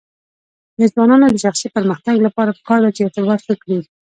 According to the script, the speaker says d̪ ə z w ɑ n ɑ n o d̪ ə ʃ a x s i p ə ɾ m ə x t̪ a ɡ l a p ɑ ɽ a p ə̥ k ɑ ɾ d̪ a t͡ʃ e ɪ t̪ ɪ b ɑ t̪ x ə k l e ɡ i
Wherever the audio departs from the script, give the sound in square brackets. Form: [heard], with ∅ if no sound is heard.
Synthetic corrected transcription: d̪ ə z w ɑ n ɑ n o d̪ ə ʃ a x s i p ə ɾ m ə x t̪ a ɡ l a p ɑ [ɾ] a p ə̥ k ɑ ɾ d̪ a t͡ʃ e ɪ t̪ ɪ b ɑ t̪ x ə k [ɽ] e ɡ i